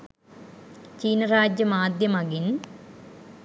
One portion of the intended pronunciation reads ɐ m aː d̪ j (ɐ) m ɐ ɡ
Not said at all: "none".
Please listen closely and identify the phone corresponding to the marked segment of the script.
ɐ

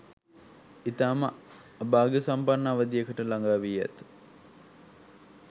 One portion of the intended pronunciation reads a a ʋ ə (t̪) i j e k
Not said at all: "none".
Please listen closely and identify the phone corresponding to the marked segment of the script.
d̪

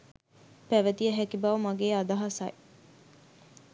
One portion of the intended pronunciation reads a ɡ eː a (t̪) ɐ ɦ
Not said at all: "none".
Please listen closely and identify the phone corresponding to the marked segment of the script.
d̪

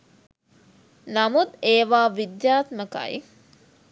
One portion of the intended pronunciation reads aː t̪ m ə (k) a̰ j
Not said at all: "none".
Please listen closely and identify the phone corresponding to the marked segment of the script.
k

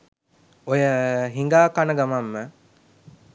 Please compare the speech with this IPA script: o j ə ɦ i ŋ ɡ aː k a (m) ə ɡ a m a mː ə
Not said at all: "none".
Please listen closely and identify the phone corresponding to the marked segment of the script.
n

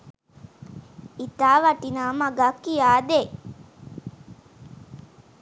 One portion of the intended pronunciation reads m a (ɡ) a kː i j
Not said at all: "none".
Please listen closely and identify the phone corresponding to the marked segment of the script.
ɡ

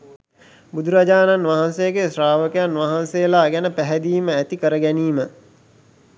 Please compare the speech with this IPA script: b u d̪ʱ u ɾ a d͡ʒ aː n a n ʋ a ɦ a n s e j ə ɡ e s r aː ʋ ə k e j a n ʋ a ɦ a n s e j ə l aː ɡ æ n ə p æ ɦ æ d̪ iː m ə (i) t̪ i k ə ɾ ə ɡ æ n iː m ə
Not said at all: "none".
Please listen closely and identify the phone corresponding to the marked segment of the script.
æ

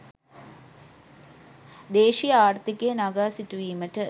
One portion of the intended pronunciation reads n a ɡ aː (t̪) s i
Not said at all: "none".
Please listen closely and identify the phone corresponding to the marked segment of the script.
none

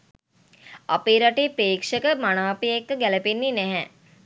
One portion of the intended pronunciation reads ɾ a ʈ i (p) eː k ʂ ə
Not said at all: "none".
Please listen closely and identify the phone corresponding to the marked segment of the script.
p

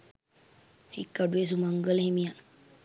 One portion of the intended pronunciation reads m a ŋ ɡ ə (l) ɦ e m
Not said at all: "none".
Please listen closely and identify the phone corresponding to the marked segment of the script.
l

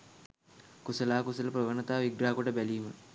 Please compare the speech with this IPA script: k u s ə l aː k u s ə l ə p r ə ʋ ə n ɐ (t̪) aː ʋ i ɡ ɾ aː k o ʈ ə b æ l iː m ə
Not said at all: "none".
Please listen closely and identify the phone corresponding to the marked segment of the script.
t̪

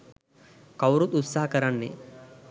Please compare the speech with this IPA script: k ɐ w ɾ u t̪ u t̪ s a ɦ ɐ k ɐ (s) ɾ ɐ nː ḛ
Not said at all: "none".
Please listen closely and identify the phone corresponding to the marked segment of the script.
none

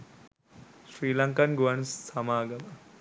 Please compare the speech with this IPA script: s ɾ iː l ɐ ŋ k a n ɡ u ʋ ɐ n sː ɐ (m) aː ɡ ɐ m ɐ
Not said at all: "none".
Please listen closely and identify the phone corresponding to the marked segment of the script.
m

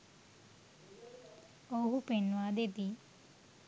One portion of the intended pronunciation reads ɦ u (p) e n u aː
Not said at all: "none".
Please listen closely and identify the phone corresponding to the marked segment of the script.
p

